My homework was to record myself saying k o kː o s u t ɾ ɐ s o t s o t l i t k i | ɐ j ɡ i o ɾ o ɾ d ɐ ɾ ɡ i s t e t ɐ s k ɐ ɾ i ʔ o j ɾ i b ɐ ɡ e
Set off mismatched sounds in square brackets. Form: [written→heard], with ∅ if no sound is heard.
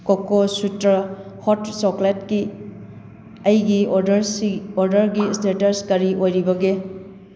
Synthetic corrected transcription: k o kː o s u t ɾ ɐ [s→h] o t s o [t→k] l [i→e] t k i | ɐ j ɡ i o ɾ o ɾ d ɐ ɾ ɡ i s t e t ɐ s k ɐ ɾ i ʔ o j ɾ i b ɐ ɡ e